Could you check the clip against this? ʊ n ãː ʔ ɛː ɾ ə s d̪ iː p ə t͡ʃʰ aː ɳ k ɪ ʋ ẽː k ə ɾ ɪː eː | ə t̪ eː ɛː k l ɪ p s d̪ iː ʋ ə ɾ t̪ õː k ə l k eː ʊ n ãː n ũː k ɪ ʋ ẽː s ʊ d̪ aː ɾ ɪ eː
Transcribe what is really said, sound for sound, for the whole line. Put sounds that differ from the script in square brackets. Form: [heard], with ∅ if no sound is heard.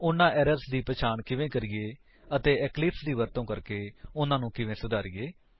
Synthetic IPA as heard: ʊ n ãː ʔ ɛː ɾ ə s d̪ iː p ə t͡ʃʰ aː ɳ k ɪ ʋ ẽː k ə ɾ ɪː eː | ə t̪ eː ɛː k l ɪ p s d̪ iː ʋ ə ɾ t̪ õː k ə [ɾ] k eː ʊ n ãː n ũː k ɪ ʋ ẽː s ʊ d̪ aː ɾ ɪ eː